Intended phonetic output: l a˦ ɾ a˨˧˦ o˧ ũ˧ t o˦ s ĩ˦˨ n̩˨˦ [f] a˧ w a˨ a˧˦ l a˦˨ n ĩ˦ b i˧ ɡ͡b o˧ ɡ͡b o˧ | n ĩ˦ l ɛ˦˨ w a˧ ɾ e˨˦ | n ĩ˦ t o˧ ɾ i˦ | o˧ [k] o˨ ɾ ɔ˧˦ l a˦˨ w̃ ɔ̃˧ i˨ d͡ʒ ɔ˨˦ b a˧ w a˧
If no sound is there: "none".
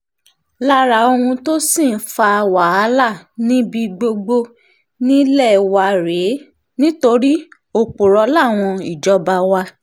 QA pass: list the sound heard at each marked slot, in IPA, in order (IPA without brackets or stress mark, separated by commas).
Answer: f, k͡p